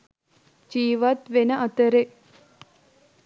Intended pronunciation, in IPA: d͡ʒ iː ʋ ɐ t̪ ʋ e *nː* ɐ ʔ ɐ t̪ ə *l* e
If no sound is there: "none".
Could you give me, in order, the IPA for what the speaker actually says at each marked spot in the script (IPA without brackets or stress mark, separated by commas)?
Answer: n, ɾ